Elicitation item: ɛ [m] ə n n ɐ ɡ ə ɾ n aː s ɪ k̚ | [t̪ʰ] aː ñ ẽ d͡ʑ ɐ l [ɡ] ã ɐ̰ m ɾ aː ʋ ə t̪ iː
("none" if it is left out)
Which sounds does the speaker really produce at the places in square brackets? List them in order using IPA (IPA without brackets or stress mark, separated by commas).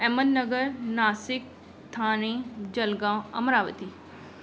m, t̪ʰ, ɡ